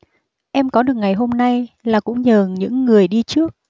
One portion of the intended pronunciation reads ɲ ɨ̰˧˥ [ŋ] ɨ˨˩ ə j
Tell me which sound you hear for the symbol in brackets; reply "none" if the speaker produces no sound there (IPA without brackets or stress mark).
ŋː